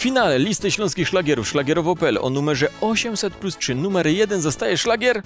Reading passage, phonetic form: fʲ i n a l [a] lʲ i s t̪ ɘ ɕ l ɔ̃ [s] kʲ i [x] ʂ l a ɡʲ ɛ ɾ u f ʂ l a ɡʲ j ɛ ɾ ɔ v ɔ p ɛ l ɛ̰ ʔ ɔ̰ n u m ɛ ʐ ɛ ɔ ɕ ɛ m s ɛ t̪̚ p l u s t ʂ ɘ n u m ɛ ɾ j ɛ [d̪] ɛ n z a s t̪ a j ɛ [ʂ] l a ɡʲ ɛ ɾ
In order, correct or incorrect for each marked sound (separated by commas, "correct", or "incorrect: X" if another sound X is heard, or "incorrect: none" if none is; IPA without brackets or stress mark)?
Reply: incorrect: ɛ, correct, correct, correct, correct